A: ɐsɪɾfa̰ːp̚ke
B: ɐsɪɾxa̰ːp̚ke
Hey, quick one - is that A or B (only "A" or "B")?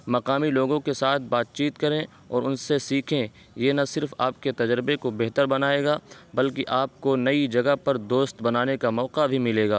A